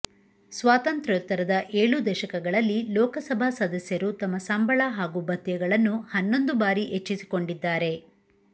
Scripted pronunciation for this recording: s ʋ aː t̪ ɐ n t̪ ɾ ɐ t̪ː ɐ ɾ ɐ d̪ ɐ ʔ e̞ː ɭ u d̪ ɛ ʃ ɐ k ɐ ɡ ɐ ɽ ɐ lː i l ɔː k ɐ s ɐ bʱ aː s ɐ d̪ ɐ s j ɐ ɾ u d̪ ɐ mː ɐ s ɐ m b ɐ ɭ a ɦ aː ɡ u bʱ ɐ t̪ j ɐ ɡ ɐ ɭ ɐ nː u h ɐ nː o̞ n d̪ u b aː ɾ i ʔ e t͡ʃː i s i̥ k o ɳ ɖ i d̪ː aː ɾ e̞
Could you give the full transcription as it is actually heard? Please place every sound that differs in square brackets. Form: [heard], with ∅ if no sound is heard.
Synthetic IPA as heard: s ʋ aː t̪ ɐ n t̪ ɾ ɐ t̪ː ɐ ɾ ɐ d̪ ɐ ʔ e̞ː ɭ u d̪ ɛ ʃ ɐ k ɐ ɡ ɐ [ɭ] ɐ lː i l ɔː k ɐ s ɐ bʱ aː s ɐ d̪ ɐ s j ɐ ɾ u [t̪] ɐ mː ɐ s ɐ m b ɐ ɭ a ɦ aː ɡ u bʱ ɐ t̪ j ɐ ɡ ɐ ɭ ɐ nː u h ɐ nː o̞ n d̪ u b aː ɾ i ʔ e t͡ʃː i s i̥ k o ɳ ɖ i d̪ː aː ɾ e̞